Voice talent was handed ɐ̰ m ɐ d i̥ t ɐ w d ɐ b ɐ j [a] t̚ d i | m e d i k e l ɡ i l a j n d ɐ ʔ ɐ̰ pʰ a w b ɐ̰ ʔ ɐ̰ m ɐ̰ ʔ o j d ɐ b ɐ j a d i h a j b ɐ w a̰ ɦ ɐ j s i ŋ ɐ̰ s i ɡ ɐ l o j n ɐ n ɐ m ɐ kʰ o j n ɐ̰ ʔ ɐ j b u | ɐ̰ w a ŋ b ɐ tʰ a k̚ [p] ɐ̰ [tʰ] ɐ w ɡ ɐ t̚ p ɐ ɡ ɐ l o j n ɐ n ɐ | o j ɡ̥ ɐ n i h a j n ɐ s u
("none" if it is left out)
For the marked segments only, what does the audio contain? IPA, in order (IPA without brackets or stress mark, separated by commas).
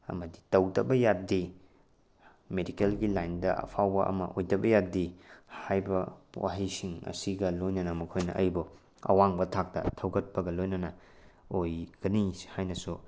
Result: a, t, tʰ